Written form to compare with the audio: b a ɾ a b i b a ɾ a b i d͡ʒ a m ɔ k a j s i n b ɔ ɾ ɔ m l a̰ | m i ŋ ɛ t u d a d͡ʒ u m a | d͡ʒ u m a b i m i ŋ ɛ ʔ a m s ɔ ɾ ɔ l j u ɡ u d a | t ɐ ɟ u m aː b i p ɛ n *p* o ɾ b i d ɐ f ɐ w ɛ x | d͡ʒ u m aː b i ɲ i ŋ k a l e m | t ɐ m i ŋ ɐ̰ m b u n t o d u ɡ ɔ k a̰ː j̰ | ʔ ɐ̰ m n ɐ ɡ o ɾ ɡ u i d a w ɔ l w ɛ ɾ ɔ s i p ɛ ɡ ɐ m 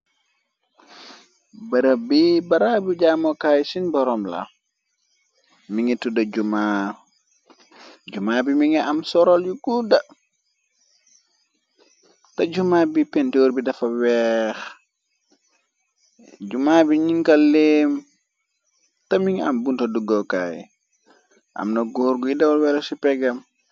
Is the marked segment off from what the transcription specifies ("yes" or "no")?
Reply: yes